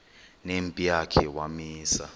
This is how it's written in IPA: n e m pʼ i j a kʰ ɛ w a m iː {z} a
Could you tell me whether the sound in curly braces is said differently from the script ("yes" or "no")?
yes